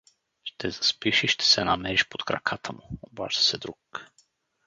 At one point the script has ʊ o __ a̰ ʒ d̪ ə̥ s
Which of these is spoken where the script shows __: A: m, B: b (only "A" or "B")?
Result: B